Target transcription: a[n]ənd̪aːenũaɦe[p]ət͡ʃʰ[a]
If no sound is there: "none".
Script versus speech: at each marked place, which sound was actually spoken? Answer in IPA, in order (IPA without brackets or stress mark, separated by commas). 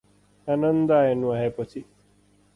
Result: n, p, i